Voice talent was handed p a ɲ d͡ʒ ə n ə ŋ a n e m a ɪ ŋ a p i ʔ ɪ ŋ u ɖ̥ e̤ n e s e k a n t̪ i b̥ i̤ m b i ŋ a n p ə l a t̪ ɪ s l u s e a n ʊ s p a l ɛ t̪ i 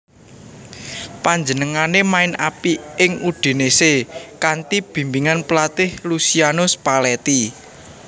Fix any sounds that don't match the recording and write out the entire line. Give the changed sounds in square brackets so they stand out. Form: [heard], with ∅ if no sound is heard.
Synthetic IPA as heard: p a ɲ d͡ʒ ə n ə ŋ a n e m a ɪ [n] a p i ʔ ɪ ŋ u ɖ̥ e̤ n e s e k a n t̪ i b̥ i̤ m b i ŋ a n p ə l a t̪ ɪ [h] l u s [i] a n ʊ s p a l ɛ t̪ i